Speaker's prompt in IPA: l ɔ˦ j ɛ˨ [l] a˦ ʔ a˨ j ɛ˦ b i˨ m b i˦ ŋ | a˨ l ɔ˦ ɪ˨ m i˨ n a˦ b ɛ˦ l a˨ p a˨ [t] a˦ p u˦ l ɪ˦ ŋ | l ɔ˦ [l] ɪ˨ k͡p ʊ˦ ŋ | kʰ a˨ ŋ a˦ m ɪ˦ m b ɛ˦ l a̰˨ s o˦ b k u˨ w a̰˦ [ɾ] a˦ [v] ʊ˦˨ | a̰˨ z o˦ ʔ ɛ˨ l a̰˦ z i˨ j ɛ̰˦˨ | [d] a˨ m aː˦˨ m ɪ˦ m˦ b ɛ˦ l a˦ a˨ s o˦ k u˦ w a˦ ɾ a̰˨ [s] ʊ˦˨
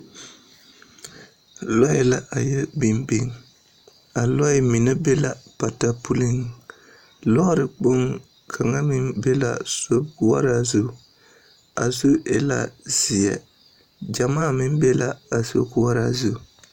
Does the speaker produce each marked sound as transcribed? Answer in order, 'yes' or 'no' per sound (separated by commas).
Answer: yes, yes, no, yes, no, no, no